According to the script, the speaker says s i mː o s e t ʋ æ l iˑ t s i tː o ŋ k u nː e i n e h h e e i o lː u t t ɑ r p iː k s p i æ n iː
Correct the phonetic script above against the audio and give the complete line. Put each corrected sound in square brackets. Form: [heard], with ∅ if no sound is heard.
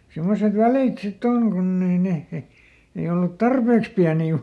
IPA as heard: s i mː o s e t ʋ æ l iˑ t s i tː o ŋ k u nː e i n e h h e e i o lː u t t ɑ r p [eː] k s p i æ n iː